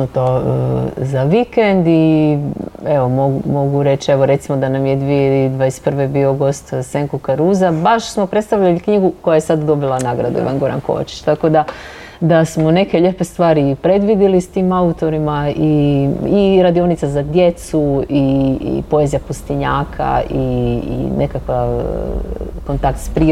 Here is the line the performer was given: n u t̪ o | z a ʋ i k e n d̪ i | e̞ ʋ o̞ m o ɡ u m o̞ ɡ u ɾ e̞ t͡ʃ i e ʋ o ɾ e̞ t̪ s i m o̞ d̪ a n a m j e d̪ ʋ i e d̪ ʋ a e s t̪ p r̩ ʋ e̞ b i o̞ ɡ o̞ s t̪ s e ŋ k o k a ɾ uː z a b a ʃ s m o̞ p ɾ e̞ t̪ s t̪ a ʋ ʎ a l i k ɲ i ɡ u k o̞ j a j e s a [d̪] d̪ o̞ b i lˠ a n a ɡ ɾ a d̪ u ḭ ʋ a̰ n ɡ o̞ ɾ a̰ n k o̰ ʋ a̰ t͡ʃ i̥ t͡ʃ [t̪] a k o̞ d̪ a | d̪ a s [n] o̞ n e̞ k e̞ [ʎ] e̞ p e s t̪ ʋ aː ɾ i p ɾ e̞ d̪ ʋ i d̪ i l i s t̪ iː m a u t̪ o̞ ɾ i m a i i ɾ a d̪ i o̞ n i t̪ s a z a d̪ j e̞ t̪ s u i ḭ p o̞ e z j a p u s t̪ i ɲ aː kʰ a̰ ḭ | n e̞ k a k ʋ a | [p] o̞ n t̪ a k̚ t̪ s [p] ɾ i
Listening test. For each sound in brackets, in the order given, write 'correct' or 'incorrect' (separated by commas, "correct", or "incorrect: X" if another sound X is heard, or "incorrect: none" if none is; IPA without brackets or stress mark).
correct, correct, incorrect: m, correct, incorrect: k, correct